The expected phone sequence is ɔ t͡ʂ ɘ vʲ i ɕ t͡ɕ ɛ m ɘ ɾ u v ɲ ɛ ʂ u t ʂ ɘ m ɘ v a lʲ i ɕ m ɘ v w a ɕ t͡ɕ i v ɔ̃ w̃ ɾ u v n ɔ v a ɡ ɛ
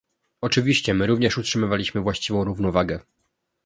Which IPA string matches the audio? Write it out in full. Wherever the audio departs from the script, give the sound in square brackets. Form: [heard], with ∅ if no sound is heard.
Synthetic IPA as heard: ɔ t͡ʂ ɘ vʲ i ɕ t͡ɕ ɛ m ɘ ɾ u v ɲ ɛ ʂ u t ʂ ɘ m ɘ v a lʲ i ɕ m ɘ v w a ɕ t͡ɕ i v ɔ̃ w̃ ɾ u v n ɔ v a ɡ ɛ